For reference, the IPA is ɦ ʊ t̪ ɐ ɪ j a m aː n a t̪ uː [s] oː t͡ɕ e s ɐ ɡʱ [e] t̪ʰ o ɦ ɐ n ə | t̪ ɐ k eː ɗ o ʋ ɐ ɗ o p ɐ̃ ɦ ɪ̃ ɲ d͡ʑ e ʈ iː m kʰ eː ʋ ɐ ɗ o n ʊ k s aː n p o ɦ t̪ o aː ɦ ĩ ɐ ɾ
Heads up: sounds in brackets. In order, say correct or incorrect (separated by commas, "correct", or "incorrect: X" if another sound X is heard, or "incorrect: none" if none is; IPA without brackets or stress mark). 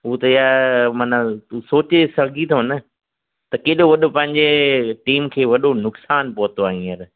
correct, incorrect: i